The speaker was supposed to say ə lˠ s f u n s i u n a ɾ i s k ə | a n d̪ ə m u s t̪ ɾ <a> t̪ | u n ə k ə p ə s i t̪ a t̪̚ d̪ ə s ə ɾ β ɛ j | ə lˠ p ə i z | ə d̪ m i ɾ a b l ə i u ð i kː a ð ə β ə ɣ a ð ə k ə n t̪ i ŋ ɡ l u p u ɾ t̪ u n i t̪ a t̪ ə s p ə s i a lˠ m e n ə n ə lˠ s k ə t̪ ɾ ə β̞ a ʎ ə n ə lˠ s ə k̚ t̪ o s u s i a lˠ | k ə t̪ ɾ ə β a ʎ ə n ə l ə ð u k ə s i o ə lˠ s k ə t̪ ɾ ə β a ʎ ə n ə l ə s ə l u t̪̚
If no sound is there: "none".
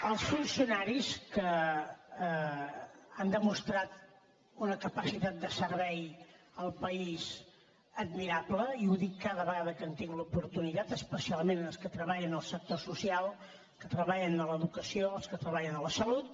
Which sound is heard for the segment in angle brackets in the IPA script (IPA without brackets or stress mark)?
a